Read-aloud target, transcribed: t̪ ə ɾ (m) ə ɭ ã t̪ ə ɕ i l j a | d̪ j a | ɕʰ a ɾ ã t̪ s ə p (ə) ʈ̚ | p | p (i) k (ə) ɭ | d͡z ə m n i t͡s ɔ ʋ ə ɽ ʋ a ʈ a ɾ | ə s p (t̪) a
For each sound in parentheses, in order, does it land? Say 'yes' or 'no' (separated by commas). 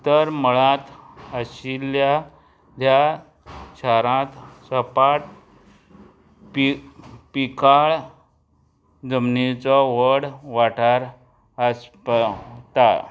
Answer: yes, no, yes, no, yes